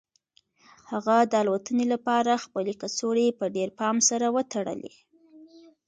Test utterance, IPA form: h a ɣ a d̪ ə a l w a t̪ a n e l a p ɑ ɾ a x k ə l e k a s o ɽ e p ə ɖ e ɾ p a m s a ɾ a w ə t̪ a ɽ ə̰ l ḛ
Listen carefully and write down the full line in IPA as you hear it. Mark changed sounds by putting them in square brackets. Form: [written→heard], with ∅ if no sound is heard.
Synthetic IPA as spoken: h a ɣ a d̪ ə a l w a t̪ [a→ə] n e l a p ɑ ɾ a x [k→p] ə l e k a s o ɽ e p ə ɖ e ɾ p [a→ɑ] m s a ɾ a w ə t̪ a ɽ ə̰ l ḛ